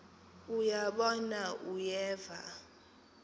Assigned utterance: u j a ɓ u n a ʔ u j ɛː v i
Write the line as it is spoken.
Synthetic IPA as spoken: u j a ɓ ɔ n a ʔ u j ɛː v a